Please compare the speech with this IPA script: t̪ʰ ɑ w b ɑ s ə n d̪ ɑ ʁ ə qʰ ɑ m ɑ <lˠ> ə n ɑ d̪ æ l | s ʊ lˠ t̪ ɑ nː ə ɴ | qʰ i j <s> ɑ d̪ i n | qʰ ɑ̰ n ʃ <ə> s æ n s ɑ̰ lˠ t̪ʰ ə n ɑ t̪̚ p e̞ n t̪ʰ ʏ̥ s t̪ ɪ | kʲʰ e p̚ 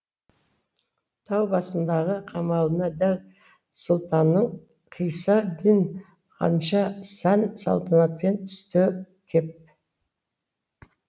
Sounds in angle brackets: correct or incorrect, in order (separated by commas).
correct, correct, incorrect